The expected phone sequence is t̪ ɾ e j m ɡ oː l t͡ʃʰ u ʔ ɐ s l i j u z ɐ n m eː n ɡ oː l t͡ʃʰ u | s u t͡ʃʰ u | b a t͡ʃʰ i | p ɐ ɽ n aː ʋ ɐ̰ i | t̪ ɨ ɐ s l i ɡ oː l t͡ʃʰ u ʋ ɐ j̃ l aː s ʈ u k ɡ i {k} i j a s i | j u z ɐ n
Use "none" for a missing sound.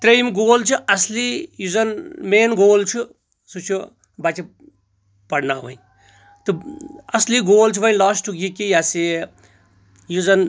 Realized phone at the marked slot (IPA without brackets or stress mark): k